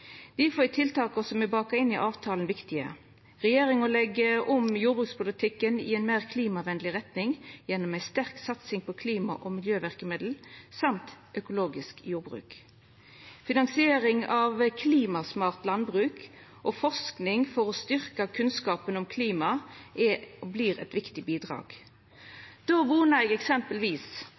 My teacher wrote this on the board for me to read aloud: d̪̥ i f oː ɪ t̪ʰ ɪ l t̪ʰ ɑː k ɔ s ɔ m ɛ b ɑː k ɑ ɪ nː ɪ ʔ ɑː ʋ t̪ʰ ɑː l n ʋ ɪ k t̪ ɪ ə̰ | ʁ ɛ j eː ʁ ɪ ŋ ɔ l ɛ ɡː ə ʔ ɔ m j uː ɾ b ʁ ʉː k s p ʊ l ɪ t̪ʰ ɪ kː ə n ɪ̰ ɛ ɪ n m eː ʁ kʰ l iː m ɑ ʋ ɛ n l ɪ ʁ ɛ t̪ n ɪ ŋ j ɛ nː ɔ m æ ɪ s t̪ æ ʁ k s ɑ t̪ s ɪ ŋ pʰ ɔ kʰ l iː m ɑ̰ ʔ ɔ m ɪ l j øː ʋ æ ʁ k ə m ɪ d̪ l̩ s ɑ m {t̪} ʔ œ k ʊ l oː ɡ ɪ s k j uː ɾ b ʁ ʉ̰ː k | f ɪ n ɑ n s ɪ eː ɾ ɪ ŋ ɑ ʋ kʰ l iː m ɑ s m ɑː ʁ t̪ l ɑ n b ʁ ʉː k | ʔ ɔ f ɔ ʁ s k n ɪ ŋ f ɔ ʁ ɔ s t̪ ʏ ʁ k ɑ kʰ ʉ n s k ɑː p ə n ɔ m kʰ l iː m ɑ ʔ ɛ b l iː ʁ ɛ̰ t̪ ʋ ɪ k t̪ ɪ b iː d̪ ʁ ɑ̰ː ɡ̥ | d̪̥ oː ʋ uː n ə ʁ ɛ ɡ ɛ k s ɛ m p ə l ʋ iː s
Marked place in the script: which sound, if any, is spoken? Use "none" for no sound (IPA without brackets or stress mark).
t̪